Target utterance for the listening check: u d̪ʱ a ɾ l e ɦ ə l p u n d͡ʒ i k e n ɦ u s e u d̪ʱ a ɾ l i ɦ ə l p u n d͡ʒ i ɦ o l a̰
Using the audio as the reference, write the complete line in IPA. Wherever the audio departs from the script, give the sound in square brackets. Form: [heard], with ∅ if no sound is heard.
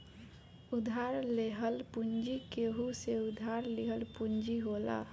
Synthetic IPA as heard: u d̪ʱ a ɾ l e ɦ ə l p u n d͡ʒ i k e [∅] ɦ u s e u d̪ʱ a ɾ l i ɦ ə l p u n d͡ʒ i ɦ o l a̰